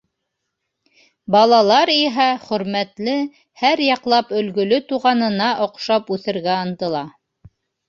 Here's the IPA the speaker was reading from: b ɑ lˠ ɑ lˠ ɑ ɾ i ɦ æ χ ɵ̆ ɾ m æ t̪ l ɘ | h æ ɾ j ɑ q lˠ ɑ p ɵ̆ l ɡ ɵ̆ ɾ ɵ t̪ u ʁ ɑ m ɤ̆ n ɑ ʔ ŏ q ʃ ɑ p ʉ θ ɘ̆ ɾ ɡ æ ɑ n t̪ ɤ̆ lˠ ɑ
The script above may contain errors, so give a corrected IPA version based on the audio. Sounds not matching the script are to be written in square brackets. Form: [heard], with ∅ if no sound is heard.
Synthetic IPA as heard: b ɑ lˠ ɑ lˠ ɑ ɾ i ɦ æ χ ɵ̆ ɾ m æ t̪ l ɘ | h æ ɾ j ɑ q lˠ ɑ p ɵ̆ l ɡ ɵ̆ [l] ɵ t̪ u ʁ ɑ [n] ɤ̆ n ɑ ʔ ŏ q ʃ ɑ p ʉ θ ɘ̆ ɾ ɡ æ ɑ n t̪ ɤ̆ lˠ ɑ